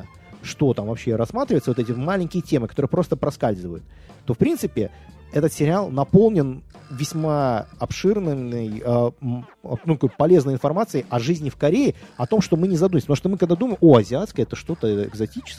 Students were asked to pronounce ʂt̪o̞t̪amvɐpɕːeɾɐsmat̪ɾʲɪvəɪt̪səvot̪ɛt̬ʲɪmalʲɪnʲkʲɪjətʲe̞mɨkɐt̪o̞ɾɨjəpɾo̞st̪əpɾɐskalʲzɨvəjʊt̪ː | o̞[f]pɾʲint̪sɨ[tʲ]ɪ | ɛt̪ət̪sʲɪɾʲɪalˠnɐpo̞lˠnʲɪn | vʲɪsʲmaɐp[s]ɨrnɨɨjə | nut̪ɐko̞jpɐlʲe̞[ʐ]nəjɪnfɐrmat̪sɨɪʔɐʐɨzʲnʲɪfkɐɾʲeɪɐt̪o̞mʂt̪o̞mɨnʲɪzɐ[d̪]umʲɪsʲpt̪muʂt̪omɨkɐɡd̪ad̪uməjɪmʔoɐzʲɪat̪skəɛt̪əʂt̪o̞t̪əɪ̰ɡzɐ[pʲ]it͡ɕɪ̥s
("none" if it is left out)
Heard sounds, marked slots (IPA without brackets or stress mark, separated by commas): f, pʲ, ʂ, z, d̪, tʲ